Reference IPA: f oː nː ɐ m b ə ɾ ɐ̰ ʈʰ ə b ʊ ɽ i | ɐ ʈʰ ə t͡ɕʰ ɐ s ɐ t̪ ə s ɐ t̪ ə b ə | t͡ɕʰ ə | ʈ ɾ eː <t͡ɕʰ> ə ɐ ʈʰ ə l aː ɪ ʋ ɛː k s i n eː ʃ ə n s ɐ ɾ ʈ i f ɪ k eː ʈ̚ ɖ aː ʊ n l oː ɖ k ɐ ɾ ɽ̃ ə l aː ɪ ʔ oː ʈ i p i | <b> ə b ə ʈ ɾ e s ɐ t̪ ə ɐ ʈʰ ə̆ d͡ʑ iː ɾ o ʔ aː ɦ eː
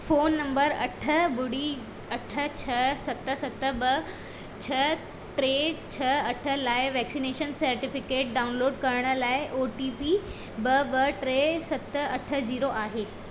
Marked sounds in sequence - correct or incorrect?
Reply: correct, correct

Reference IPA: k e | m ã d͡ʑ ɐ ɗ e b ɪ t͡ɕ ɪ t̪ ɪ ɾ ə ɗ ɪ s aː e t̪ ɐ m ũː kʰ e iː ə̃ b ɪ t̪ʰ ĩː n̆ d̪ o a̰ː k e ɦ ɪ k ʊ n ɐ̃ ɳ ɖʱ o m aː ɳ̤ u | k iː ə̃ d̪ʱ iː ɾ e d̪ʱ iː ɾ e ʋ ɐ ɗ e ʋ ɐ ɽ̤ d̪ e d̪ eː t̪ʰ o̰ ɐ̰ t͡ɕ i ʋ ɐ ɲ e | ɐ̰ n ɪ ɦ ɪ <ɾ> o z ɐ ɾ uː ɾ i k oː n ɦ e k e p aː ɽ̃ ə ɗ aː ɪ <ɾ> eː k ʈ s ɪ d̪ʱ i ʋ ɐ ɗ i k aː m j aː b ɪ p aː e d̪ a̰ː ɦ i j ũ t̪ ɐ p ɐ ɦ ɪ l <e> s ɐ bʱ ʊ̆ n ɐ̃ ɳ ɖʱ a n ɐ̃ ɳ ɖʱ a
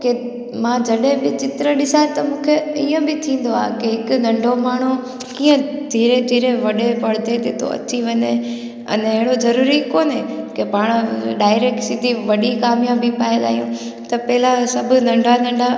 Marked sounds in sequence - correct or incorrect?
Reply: incorrect: ɽ, correct, incorrect: a

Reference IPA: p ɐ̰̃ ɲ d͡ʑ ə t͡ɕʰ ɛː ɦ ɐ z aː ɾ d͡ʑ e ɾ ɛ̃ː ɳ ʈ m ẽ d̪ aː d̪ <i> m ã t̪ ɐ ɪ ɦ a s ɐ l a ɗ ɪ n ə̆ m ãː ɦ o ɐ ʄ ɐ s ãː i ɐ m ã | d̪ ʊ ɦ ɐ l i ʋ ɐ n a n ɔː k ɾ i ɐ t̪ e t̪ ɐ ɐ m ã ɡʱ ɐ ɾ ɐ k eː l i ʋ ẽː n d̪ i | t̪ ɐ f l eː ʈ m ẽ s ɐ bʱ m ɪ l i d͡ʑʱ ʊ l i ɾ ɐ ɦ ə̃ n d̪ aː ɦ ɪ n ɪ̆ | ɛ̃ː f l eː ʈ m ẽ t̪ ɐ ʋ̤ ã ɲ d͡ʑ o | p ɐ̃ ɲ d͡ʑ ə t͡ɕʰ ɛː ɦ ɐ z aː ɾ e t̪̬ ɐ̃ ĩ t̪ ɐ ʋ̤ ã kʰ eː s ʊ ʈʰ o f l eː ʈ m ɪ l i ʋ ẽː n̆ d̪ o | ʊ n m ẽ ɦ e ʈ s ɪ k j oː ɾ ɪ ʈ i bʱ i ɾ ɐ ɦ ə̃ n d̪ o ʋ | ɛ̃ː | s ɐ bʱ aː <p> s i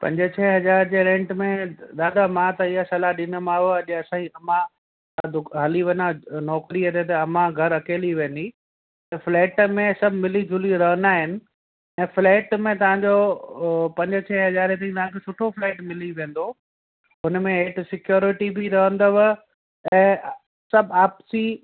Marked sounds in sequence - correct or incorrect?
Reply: incorrect: a, correct

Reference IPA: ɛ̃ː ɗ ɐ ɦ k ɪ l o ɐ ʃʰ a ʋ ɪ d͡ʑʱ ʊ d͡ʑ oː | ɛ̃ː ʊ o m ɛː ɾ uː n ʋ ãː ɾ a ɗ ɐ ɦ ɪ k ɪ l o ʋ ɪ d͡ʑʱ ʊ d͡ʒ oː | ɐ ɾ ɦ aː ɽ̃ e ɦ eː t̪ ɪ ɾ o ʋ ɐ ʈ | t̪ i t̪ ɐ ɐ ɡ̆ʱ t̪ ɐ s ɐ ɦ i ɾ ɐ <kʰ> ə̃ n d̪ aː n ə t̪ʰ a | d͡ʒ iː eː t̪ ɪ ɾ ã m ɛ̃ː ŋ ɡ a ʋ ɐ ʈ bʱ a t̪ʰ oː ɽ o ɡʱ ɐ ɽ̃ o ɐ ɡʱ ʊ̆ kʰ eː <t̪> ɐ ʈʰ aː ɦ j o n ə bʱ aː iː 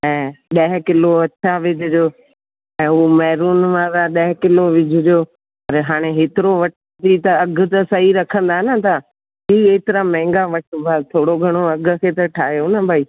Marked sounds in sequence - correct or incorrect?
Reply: correct, correct

